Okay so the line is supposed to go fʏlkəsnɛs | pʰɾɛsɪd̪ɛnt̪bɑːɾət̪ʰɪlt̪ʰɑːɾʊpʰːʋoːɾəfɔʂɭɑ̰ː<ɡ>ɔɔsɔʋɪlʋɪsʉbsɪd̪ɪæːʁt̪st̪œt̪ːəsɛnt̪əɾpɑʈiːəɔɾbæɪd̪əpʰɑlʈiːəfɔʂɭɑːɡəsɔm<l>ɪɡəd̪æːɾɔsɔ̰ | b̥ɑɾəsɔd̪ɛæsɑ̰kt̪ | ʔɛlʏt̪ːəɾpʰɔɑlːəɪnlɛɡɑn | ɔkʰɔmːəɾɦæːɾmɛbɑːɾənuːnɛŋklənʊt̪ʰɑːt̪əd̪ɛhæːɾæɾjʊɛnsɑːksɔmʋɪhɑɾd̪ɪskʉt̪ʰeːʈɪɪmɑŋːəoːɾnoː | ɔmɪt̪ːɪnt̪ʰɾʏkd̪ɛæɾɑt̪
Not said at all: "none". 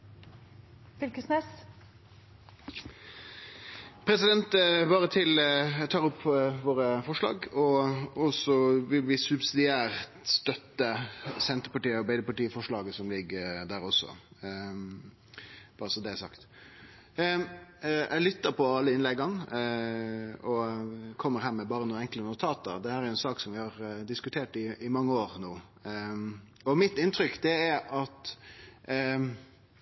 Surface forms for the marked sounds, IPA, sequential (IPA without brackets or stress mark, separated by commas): ɡ, l